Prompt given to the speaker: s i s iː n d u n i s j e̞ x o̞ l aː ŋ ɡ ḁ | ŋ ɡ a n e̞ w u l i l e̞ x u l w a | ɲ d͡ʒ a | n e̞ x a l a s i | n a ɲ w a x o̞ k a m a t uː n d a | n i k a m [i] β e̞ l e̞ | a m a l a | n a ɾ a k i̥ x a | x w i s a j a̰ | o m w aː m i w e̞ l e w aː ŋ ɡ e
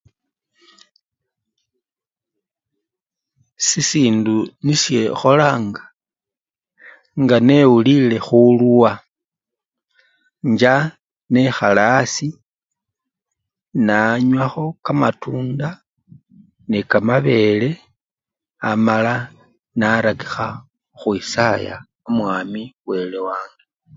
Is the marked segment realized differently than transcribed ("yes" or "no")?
yes